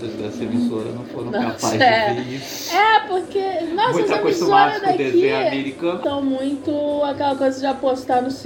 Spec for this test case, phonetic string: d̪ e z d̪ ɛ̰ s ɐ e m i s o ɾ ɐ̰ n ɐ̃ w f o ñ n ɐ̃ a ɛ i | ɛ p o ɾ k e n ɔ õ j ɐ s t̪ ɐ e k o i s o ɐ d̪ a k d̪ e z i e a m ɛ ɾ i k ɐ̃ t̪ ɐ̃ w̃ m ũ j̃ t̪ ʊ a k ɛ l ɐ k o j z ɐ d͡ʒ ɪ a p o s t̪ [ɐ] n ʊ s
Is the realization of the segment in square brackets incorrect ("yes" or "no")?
yes